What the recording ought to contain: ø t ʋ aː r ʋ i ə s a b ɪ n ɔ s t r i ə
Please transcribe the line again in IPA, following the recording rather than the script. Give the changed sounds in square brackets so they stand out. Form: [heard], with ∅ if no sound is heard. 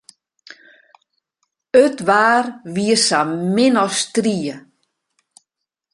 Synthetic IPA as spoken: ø t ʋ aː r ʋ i ə s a [m] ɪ n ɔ s t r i ə